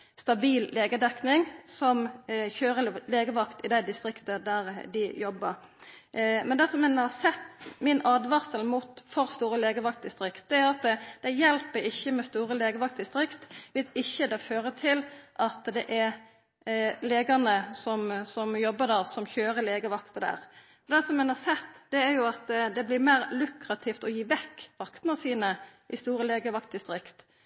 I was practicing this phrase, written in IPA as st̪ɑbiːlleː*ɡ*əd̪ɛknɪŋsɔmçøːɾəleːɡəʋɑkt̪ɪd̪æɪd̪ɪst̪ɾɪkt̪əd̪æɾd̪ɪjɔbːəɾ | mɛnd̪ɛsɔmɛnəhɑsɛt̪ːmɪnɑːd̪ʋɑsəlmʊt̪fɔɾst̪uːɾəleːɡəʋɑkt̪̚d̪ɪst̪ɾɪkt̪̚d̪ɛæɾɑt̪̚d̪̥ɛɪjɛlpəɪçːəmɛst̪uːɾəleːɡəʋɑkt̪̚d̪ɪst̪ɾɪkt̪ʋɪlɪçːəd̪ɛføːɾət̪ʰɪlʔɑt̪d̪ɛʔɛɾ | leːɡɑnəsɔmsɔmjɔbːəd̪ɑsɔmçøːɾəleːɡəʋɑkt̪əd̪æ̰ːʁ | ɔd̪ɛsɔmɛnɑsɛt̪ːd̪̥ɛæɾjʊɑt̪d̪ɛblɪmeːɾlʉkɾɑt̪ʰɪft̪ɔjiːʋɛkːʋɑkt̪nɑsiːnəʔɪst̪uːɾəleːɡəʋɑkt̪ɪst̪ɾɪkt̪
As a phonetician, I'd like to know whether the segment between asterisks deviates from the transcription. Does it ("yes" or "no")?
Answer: no